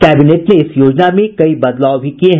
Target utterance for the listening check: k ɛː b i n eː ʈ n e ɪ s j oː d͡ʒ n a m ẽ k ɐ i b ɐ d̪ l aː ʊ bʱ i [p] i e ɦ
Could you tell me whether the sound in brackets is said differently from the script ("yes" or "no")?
yes